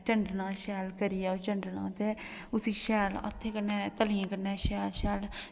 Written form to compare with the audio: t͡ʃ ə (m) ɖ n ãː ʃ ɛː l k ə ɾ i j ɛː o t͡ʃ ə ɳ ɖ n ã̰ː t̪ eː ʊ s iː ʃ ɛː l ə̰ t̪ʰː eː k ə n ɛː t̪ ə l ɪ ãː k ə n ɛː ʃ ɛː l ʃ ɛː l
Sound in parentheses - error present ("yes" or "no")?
yes